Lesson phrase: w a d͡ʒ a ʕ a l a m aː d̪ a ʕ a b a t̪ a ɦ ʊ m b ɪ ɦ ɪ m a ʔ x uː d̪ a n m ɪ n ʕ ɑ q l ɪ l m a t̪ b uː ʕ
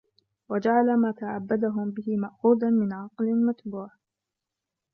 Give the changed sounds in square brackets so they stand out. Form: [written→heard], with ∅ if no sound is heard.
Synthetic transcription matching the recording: w a d͡ʒ a ʕ a l a m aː [d̪→t̪] a ʕ a [b→bː] a [t̪→d̪] a ɦ ʊ m b ɪ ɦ ɪ m a ʔ x uː d̪ a n m ɪ n ʕ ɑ q l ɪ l m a t̪ b uː ʕ